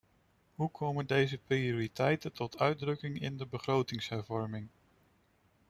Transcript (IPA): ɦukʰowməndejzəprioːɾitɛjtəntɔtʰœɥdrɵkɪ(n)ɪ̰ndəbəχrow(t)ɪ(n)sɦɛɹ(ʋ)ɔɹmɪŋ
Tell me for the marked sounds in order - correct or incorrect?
incorrect: ŋ, correct, incorrect: ŋ, incorrect: v

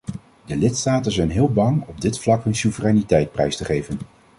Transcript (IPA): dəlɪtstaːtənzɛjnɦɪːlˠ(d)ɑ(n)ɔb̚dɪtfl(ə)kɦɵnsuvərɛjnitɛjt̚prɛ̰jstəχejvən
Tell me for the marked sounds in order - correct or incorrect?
incorrect: b, incorrect: ŋ, incorrect: ɑ

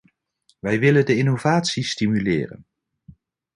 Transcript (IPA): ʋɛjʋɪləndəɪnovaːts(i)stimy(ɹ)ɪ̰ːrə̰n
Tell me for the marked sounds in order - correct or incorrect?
correct, incorrect: l

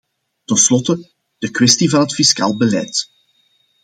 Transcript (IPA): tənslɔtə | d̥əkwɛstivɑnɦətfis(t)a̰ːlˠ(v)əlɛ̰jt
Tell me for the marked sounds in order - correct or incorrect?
incorrect: k, incorrect: b

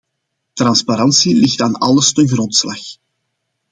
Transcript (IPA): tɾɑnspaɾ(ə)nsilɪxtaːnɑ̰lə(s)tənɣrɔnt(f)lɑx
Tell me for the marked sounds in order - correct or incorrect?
incorrect: ɑ, correct, incorrect: s

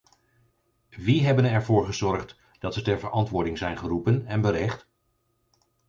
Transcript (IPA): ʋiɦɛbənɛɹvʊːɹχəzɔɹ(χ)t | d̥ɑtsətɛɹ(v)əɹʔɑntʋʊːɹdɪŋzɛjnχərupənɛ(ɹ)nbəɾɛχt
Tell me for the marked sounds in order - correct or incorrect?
correct, correct, incorrect: none

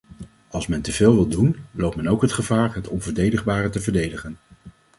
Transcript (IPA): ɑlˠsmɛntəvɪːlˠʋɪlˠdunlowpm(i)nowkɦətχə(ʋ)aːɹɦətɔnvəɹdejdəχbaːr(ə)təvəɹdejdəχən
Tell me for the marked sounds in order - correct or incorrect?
incorrect: ɛ, incorrect: v, correct

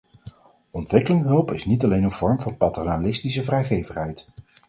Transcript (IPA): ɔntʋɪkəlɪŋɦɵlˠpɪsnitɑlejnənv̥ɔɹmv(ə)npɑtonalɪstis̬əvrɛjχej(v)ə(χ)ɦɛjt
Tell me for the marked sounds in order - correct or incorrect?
incorrect: ɑ, correct, correct

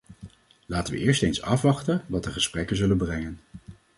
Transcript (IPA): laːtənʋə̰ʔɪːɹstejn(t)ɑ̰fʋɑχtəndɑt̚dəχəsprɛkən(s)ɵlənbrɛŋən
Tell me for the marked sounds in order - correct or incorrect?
incorrect: s, incorrect: z

